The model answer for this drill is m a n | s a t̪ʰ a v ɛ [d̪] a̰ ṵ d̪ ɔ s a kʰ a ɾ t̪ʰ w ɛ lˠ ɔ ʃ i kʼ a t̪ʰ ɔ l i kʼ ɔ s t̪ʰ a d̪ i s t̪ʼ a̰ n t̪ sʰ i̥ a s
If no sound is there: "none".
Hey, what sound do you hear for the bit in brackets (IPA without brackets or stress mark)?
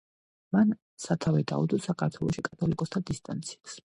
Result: d̪